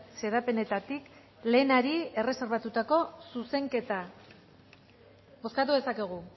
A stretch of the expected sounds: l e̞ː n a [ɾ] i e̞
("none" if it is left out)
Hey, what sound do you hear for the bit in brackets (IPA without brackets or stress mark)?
ɾ